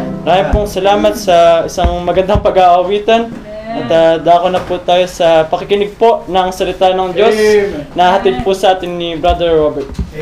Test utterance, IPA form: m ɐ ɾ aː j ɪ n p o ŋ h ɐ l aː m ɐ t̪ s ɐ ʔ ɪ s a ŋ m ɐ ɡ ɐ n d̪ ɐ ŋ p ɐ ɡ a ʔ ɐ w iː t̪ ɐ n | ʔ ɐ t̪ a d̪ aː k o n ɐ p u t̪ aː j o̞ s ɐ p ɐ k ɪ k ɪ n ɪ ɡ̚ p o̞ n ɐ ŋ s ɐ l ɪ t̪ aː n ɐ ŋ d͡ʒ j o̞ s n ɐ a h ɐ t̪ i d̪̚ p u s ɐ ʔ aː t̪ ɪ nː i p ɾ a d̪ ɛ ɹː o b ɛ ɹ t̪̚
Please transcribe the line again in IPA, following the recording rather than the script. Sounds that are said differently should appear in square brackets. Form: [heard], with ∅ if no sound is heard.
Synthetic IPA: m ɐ ɾ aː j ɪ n p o ŋ [s] ɐ l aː m ɐ t̪ s ɐ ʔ ɪ s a ŋ m ɐ ɡ ɐ n d̪ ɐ ŋ p ɐ ɡ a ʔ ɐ w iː t̪ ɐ n | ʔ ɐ t̪ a d̪ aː k o n ɐ p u t̪ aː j o̞ s ɐ p ɐ k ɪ k ɪ n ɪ ɡ̚ p o̞ n ɐ ŋ s ɐ l ɪ t̪ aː n ɐ ŋ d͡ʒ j o̞ s n ɐ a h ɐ t̪ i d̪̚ p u s ɐ ʔ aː t̪ ɪ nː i [b] ɾ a d̪ ɛ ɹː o b ɛ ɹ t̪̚